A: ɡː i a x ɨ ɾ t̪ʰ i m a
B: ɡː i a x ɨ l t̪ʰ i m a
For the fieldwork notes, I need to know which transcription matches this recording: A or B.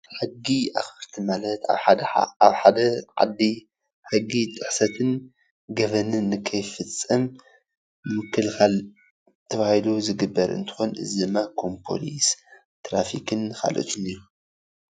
A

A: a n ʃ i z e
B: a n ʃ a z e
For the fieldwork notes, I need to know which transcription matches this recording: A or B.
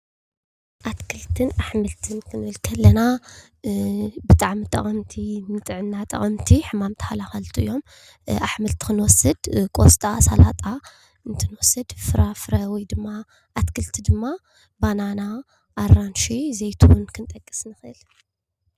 A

